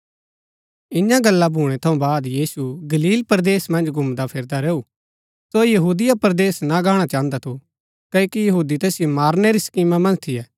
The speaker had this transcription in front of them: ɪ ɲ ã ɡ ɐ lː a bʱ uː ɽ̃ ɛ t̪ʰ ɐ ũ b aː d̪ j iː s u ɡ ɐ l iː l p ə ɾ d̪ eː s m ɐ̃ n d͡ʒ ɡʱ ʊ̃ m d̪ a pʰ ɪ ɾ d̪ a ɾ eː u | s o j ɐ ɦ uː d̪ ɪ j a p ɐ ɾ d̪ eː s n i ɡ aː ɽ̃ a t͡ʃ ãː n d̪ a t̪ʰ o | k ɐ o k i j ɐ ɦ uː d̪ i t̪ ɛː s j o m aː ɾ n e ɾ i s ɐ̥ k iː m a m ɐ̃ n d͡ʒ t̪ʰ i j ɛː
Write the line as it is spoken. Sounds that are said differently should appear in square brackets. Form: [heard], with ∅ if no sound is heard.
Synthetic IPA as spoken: ɪ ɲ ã ɡ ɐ lː a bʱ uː ɽ̃ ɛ t̪ʰ ɐ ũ b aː d̪ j iː s u ɡ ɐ l iː l p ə ɾ d̪ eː s m ɐ̃ n d͡ʒ ɡʱ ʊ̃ m d̪ a pʰ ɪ ɾ d̪ a ɾ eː u | s o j ɐ ɦ uː d̪ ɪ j a p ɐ ɾ d̪ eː s n [a] ɡ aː ɽ̃ a t͡ʃ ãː n d̪ a t̪ʰ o | k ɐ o k i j ɐ ɦ uː d̪ i t̪ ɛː s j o m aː ɾ n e ɾ i s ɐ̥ k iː m a m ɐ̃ n d͡ʒ t̪ʰ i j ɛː

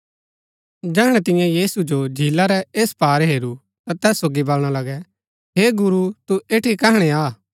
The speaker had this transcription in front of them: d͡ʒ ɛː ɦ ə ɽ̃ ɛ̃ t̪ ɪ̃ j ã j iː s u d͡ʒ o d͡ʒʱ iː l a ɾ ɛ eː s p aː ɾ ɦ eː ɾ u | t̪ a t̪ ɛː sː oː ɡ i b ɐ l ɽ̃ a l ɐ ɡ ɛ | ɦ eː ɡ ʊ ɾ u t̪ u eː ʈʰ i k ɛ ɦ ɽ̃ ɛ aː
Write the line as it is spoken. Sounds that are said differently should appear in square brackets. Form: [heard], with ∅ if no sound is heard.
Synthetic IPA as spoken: d͡ʒ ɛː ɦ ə ɽ̃ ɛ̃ t̪ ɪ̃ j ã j iː s u d͡ʒ o d͡ʒʱ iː l a ɾ ɛ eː s p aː ɾ ɦ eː ɾ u | t̪ a t̪ ɛː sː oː ɡ i b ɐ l ɽ̃ a l ɐ ɡ ɛ | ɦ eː ɡ ʊ ɾ u t̪ u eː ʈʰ i k ɛ ɦ ɽ̃ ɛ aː

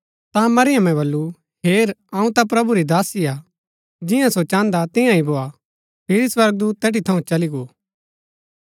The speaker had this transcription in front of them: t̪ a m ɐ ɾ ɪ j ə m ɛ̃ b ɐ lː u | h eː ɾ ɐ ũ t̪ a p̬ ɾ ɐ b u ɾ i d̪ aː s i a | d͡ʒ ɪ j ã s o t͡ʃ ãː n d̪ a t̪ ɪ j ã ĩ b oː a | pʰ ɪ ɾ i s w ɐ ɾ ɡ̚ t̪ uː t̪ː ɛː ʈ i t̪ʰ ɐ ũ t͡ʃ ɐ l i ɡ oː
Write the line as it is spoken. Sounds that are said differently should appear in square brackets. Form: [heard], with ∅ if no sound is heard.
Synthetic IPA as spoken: t̪ a m ɐ ɾ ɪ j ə m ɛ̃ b ɐ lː u | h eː ɾ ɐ ũ t̪ a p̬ ɾ ɐ b u ɾ i d̪ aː s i a | d͡ʒ ɪ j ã s o t͡ʃ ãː n d̪ a t̪ ɪ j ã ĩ b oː a | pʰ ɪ ɾ i s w ɐ ɾ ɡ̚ [d̪] uː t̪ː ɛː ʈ i t̪ʰ ɐ ũ t͡ʃ ɐ l i ɡ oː

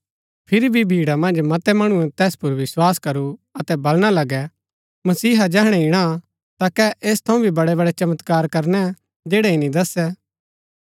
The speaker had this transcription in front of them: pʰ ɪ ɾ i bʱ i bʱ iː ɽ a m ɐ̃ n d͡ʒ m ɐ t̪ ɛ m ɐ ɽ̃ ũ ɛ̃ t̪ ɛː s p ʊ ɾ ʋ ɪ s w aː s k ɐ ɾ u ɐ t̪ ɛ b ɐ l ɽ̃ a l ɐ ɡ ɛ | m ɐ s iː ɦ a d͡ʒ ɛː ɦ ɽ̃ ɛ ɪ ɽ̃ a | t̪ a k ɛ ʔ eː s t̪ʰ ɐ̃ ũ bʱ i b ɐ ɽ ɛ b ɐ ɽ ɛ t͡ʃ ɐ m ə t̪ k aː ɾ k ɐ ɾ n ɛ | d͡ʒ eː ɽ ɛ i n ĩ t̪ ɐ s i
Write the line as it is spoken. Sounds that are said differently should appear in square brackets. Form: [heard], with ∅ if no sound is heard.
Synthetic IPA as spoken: pʰ ɪ ɾ i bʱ i bʱ iː ɽ a m ɐ̃ n d͡ʒ m ɐ t̪ ɛ m ɐ ɽ̃ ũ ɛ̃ t̪ ɛː s p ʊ ɾ ʋ ɪ s w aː s k ɐ ɾ u ɐ t̪ ɛ b ɐ l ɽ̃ a l ɐ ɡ ɛ | m ɐ s iː ɦ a d͡ʒ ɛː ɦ ɽ̃ ɛ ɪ ɽ̃ a | t̪ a k ɛ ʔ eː s t̪ʰ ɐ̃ ũ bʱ i b ɐ ɽ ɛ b ɐ ɽ ɛ t͡ʃ ɐ m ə t̪ k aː ɾ k ɐ ɾ n ɛ | d͡ʒ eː ɽ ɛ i n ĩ [d̪] ɐ s [ɛ]

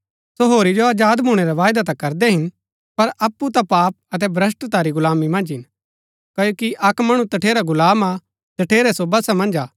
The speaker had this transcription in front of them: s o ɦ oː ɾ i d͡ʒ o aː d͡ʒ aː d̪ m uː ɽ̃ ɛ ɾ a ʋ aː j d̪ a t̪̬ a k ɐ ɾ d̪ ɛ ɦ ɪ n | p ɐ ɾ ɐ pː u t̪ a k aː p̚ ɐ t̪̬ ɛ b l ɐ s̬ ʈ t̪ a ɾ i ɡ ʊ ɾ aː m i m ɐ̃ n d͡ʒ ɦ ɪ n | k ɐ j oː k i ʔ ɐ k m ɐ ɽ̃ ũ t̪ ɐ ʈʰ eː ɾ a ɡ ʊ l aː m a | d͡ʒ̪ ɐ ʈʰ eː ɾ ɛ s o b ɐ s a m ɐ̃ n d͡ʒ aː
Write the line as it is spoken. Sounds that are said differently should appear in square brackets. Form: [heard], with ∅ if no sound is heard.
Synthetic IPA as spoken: s o ɦ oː ɾ i d͡ʒ o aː d͡ʒ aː d̪ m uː ɽ̃ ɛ ɾ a ʋ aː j d̪ a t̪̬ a k ɐ ɾ d̪ ɛ ɦ ɪ n | p ɐ ɾ ɐ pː u t̪ a [p] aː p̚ ɐ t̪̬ ɛ b [ɾ] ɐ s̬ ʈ t̪ a ɾ i ɡ ʊ [l] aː m i m ɐ̃ n d͡ʒ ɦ ɪ n | k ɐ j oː k i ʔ ɐ k m ɐ ɽ̃ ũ t̪ ɐ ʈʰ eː ɾ a ɡ ʊ l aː m a | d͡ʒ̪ ɐ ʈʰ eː ɾ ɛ s o b ɐ s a m ɐ̃ n d͡ʒ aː

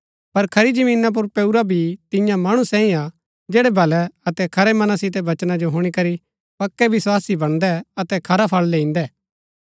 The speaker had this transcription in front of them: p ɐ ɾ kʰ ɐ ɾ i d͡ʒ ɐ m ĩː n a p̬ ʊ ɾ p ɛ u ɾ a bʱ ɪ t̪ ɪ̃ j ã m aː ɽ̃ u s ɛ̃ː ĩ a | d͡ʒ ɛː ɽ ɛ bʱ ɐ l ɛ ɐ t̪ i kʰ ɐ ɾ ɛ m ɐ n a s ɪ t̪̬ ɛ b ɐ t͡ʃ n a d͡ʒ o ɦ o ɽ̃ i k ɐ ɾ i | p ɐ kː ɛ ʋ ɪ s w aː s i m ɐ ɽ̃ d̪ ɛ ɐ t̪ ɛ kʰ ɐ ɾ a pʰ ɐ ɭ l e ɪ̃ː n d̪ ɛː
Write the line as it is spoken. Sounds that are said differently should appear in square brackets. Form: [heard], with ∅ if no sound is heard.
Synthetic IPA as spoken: p ɐ ɾ kʰ ɐ ɾ i d͡ʒ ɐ m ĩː n a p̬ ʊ ɾ p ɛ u ɾ a bʱ [i] t̪ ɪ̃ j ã m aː ɽ̃ u s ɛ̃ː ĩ a | d͡ʒ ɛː ɽ ɛ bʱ ɐ l ɛ ɐ t̪ [ɛ] kʰ ɐ ɾ ɛ m ɐ n a s ɪ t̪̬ ɛ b ɐ t͡ʃ n a d͡ʒ o ɦ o ɽ̃ i k ɐ ɾ i | p ɐ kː ɛ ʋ ɪ s w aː s i [b] ɐ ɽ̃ d̪ ɛ ɐ t̪ ɛ kʰ ɐ ɾ a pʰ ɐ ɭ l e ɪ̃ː n d̪ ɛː

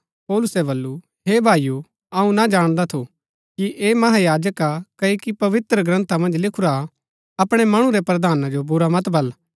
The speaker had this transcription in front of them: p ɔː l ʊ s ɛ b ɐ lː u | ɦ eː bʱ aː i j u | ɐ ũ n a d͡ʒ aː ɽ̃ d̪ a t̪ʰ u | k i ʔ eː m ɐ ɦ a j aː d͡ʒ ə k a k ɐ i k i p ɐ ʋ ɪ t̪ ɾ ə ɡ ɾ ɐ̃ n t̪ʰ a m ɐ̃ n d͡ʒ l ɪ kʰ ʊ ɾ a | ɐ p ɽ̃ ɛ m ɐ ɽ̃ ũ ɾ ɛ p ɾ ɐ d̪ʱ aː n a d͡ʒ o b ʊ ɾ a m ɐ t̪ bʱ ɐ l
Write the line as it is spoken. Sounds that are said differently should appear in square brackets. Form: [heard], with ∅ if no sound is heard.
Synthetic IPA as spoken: p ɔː l ʊ s ɛ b ɐ lː u | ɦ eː bʱ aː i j u | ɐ ũ n a d͡ʒ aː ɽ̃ d̪ a t̪ʰ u | k i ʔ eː m ɐ ɦ a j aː d͡ʒ ə k a k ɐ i k i p ɐ ʋ ɪ t̪ ɾ ə ɡ ɾ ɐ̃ n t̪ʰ a m ɐ̃ n d͡ʒ l ɪ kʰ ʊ ɾ a | ɐ p ɽ̃ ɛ m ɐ ɽ̃ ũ ɾ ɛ p ɾ ɐ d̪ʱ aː n a d͡ʒ o b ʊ ɾ a m ɐ t̪ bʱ ɐ l

